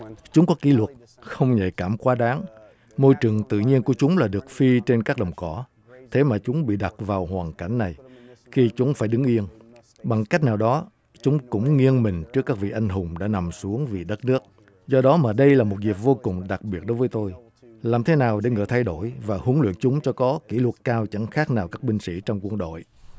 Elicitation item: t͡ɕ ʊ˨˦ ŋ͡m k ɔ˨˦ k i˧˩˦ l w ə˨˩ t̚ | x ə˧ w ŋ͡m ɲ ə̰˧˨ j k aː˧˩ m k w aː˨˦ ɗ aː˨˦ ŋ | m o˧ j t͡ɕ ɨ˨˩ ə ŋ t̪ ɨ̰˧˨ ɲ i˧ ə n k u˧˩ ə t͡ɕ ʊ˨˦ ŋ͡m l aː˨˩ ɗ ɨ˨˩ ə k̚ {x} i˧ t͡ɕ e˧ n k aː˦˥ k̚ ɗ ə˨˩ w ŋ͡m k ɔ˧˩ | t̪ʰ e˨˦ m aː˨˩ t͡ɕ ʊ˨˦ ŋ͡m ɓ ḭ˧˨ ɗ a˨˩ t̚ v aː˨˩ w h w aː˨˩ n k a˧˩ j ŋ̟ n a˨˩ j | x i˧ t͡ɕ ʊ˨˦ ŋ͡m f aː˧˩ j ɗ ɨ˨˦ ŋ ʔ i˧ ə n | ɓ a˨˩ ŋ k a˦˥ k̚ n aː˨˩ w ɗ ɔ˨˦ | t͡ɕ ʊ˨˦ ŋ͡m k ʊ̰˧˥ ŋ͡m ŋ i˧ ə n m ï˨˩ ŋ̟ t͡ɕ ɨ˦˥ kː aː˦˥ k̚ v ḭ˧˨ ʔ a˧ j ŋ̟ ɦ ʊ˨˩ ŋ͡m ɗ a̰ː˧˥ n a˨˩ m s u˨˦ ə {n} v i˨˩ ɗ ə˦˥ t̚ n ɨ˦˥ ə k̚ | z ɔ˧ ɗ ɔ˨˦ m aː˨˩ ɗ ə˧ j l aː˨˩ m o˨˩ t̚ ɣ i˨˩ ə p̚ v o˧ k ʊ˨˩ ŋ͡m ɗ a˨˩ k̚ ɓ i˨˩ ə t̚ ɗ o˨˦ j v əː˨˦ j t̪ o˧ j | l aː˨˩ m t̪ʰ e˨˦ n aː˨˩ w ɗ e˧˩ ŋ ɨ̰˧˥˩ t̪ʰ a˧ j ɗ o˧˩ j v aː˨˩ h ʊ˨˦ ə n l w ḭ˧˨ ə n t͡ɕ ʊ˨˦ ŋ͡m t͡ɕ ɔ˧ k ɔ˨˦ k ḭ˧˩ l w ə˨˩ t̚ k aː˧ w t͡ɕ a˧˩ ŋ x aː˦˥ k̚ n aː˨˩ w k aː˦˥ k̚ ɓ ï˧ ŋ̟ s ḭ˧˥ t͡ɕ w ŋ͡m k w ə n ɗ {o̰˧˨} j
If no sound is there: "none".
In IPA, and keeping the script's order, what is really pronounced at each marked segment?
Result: f, ŋ, o̰˧˨

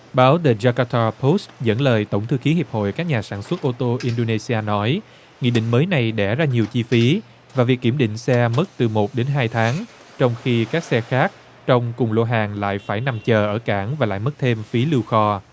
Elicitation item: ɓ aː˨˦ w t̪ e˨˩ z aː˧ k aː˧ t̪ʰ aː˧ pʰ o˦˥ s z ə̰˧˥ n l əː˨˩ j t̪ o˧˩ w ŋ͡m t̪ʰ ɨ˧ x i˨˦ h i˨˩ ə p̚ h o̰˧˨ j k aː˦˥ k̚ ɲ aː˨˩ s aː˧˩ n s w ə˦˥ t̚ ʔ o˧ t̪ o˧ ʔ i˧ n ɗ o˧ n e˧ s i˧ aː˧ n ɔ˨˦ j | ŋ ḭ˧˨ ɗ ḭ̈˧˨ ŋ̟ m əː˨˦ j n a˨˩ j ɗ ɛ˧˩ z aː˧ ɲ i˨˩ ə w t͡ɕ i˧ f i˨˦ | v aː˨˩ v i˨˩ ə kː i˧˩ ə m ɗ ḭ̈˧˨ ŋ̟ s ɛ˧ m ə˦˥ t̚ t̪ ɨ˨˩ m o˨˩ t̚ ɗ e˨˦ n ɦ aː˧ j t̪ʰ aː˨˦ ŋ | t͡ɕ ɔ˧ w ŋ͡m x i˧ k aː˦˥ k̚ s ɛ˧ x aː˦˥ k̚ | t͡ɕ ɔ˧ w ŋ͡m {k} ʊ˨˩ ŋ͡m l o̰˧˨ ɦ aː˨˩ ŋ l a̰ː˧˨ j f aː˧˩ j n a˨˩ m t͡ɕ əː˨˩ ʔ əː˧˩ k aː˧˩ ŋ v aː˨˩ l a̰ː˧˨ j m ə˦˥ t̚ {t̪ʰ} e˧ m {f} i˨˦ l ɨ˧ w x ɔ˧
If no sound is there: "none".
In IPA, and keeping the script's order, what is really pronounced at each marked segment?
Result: k, t̪ʰ, f

